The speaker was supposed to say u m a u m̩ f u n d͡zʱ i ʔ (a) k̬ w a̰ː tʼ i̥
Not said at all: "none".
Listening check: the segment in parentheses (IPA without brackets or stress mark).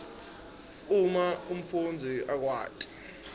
a